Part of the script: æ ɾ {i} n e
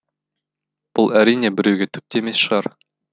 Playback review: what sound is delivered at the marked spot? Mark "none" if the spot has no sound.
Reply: i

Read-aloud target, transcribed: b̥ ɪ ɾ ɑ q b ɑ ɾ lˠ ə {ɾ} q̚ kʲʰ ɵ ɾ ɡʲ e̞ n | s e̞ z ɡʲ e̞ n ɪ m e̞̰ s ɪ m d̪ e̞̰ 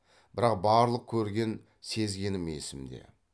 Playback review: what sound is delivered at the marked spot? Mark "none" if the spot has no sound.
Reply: none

